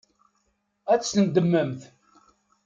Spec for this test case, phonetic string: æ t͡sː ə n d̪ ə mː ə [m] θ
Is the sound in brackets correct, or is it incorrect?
correct